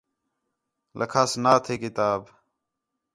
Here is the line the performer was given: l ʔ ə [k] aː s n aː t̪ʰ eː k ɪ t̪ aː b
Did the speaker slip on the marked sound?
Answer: yes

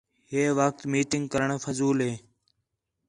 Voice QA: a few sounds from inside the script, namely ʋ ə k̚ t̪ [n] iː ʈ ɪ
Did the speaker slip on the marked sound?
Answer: yes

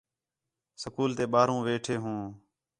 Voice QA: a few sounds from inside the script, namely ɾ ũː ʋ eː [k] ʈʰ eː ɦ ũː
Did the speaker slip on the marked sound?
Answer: yes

